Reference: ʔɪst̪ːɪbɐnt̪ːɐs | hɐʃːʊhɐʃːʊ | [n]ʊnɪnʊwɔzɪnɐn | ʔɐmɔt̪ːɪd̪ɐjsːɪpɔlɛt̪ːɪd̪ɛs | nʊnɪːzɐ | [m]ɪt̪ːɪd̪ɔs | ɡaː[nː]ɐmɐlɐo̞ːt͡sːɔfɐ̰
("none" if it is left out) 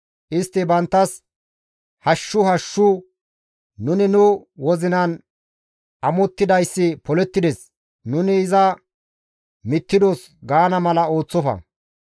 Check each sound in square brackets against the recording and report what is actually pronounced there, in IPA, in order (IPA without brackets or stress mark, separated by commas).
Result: n, m, n